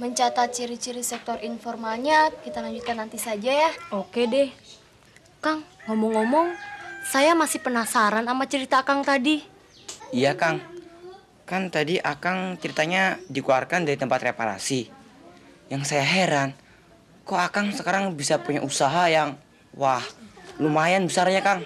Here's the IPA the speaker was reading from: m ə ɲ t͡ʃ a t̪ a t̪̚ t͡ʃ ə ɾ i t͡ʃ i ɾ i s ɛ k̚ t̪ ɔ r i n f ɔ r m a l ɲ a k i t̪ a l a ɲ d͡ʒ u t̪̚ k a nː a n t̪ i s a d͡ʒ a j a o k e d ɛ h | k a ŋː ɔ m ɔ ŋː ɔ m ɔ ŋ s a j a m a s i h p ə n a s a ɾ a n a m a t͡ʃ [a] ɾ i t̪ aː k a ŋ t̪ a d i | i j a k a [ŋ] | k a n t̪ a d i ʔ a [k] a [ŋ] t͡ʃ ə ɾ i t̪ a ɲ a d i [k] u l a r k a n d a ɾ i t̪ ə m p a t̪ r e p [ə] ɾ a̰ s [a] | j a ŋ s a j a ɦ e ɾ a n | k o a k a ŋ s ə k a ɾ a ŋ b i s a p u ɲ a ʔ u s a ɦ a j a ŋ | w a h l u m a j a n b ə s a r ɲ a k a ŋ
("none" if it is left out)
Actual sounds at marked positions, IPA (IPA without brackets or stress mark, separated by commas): ə, ŋ, k, ŋ, k, a, i